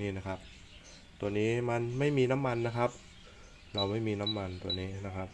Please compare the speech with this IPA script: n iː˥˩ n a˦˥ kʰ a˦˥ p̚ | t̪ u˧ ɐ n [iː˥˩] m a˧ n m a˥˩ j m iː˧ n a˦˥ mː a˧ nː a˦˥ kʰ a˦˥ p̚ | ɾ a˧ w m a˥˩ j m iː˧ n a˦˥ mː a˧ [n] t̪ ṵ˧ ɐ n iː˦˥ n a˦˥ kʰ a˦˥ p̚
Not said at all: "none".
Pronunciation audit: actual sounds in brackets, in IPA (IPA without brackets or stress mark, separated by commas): iː˦˥, n